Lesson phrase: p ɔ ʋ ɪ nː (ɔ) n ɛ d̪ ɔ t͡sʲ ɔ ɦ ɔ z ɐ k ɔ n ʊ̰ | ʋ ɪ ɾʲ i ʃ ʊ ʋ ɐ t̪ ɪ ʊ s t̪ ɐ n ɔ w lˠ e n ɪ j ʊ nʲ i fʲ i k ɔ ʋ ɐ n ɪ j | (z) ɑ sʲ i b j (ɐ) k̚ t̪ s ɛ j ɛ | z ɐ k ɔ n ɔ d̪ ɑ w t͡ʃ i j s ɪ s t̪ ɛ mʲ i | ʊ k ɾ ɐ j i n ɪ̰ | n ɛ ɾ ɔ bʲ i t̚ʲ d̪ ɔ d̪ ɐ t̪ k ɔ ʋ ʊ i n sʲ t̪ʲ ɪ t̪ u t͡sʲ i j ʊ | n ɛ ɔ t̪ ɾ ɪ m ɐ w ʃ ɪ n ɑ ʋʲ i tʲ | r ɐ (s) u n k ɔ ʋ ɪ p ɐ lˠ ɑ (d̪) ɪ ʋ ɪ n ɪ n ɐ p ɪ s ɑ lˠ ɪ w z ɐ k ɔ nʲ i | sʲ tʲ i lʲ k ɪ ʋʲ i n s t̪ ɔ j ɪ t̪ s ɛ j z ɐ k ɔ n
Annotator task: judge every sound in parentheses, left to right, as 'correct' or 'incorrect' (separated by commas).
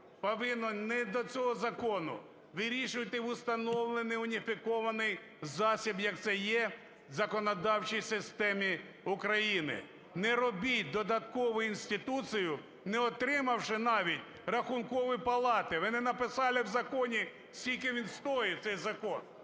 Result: correct, correct, correct, incorrect, incorrect